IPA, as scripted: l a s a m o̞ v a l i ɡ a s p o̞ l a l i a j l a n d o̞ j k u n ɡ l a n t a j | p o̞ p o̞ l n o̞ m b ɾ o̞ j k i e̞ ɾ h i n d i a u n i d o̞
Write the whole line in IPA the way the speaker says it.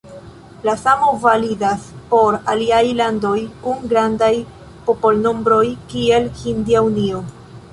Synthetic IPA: l a s a m o̞ v a l i d a s p o̞ ɾ a l i a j l a n d o̞ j k u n ɡ ɾ a n d a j | p o̞ p o̞ l n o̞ m b ɾ o̞ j k i e̞ l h i n d i a u n i o̞